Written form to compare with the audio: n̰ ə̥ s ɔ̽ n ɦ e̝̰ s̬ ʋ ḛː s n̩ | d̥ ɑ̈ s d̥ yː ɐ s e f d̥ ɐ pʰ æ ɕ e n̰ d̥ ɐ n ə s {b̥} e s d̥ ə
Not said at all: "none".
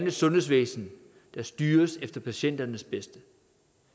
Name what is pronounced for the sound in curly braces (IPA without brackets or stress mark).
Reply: b̥